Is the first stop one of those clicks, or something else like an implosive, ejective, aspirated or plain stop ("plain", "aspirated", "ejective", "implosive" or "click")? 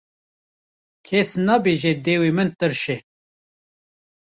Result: aspirated